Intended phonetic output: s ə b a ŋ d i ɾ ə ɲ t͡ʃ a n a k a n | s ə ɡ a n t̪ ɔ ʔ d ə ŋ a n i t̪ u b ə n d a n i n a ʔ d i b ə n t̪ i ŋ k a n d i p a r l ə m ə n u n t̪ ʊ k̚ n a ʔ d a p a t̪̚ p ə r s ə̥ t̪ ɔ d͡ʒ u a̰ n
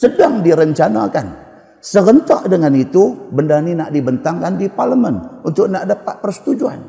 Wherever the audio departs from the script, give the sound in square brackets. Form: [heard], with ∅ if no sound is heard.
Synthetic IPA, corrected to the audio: s ə [d] a ŋ d i ɾ ə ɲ t͡ʃ a n a k a n | s ə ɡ [ə] n t̪ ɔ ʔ d ə ŋ a n i t̪ u b ə n d a n i n a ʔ d i b ə n t̪ [a] ŋ k a n d i p a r l ə m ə n u n t̪ ʊ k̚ n a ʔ d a p a t̪̚ p ə r s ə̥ t̪ [u] d͡ʒ u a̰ n